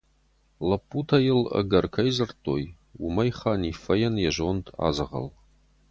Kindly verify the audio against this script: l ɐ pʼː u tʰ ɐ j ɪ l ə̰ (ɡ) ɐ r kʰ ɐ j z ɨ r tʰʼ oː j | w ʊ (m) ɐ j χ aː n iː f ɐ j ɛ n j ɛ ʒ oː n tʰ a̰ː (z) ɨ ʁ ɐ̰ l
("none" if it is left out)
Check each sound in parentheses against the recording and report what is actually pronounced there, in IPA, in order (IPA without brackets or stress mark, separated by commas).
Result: ɡ, m, z